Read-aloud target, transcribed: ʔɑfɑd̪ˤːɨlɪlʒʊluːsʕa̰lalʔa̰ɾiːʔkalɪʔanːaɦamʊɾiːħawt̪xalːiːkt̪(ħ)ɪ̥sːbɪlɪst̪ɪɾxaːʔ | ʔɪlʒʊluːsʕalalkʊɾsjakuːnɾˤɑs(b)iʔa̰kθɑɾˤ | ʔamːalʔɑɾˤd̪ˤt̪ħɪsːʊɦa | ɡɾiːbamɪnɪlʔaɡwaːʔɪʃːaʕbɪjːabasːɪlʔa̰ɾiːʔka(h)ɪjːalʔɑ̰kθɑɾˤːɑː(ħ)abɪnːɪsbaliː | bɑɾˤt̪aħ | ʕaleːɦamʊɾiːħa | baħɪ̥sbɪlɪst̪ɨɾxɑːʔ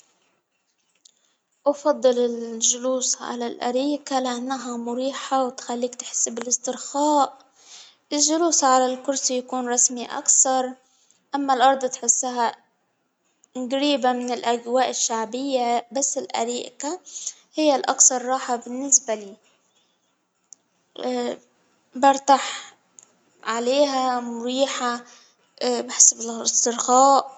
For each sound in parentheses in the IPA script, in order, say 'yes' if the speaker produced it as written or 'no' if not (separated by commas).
yes, no, yes, yes